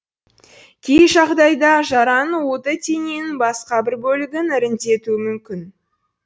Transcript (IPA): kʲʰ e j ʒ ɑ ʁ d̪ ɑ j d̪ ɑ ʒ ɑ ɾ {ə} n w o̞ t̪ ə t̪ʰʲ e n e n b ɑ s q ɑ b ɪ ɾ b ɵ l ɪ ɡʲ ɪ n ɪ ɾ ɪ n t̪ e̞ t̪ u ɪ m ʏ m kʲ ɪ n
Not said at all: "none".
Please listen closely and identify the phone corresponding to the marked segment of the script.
ɑ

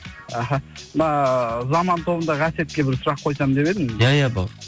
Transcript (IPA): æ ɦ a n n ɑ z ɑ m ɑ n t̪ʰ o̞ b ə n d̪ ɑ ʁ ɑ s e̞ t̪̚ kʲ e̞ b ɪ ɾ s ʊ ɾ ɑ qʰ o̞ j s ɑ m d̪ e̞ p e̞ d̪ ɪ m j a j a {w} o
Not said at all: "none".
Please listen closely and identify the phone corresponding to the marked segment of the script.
b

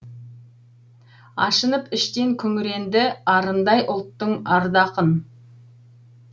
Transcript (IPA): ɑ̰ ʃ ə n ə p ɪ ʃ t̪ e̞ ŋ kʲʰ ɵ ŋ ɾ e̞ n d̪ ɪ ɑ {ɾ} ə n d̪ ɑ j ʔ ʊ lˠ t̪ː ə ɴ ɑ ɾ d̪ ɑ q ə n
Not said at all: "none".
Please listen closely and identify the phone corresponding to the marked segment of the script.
ɾ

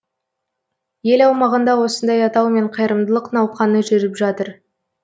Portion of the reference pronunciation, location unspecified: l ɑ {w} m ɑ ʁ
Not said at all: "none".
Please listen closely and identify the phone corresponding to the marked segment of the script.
w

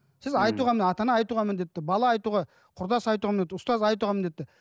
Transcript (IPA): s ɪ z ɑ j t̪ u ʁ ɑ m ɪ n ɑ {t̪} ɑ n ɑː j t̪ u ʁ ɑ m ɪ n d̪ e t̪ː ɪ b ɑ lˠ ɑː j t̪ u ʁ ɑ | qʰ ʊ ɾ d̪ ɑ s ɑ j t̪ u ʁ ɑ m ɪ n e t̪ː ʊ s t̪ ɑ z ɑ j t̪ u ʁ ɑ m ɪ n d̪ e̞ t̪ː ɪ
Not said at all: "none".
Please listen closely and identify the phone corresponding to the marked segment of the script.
t̪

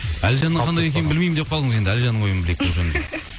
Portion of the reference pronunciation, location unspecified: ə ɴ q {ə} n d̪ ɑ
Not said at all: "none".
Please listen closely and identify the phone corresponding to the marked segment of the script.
ɑ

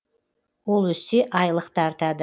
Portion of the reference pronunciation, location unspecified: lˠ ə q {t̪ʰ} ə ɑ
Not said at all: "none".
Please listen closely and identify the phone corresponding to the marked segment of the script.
t̪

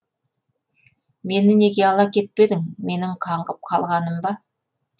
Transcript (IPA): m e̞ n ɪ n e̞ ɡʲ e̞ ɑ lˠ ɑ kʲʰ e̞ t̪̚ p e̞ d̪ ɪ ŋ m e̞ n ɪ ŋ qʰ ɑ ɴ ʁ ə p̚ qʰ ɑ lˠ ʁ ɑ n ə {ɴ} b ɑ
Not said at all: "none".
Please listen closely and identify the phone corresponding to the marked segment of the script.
m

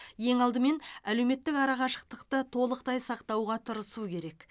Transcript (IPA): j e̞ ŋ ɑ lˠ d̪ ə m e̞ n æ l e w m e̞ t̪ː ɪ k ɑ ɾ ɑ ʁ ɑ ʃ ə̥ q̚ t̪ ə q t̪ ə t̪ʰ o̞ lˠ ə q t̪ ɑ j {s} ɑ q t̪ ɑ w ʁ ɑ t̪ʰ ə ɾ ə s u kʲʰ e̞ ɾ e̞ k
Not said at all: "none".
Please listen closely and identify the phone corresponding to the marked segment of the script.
s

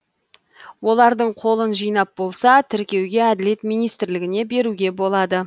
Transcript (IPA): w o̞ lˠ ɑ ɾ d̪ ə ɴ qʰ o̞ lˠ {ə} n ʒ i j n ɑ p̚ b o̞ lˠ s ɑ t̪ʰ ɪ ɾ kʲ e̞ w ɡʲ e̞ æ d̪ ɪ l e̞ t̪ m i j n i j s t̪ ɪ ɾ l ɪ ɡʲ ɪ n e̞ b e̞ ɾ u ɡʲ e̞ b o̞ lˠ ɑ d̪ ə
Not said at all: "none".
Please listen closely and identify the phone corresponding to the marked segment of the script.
ə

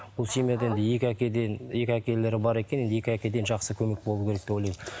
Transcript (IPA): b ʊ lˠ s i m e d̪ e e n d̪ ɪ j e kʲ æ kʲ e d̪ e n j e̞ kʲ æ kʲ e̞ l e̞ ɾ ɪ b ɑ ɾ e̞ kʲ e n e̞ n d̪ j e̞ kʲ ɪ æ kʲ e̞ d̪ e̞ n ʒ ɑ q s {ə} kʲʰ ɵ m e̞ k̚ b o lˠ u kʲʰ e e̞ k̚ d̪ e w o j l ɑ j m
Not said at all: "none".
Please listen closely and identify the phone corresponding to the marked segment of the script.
ə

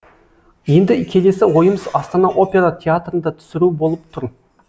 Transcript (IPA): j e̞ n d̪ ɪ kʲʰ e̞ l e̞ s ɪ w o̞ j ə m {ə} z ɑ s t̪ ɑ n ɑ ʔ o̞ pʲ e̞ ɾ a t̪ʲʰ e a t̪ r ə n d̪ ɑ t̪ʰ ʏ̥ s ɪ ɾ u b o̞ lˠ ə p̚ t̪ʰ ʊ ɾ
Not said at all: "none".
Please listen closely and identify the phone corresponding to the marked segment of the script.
ə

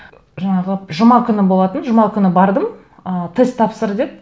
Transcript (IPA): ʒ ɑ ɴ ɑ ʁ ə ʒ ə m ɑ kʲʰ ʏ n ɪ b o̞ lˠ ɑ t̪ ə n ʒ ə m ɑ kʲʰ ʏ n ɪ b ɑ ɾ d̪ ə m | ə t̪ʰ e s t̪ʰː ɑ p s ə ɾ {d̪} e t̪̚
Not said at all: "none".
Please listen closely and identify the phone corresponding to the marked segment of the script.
d̪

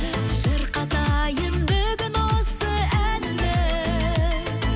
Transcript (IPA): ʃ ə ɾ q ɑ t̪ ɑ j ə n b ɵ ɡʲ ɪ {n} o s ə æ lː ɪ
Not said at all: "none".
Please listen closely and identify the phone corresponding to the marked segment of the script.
n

